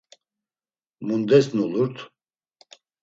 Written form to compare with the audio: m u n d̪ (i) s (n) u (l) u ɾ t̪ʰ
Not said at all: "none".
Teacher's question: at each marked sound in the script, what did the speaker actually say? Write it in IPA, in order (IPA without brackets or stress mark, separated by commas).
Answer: ɛ, n, l